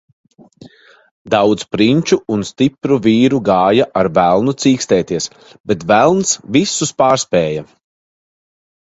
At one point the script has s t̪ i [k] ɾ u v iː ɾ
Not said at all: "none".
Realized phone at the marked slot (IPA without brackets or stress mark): p